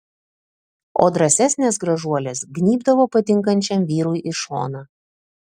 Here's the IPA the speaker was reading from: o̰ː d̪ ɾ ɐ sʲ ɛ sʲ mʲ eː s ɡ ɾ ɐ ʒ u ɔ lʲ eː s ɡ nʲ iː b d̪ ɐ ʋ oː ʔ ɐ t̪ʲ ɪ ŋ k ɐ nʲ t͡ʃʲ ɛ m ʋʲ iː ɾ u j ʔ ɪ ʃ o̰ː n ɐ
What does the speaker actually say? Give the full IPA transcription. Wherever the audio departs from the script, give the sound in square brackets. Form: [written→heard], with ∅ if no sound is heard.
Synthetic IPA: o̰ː d̪ ɾ ɐ sʲ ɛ sʲ [mʲ→nʲ] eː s ɡ ɾ ɐ ʒ u ɔ lʲ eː s ɡ nʲ iː b d̪ ɐ ʋ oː [ʔ→p] ɐ t̪ʲ ɪ ŋ k ɐ nʲ t͡ʃʲ ɛ m ʋʲ iː ɾ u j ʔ ɪ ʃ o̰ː n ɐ